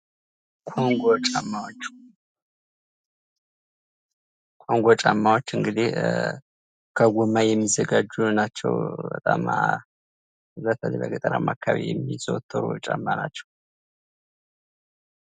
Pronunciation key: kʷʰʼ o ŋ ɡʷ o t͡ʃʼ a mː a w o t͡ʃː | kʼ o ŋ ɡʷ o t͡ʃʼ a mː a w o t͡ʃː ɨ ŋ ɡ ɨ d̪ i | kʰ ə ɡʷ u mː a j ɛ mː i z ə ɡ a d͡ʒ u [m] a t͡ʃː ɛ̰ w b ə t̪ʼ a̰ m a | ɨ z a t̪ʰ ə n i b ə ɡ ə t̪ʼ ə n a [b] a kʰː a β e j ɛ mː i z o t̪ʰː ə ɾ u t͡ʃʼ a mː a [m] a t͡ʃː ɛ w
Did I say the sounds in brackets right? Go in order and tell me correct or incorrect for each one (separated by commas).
incorrect, incorrect, incorrect